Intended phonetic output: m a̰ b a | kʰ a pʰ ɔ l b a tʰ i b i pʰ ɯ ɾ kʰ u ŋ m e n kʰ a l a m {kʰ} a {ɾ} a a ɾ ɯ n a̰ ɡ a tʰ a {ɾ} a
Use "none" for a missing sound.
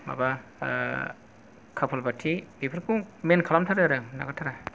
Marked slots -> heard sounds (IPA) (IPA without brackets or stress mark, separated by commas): tʰ, ɾ, ɾ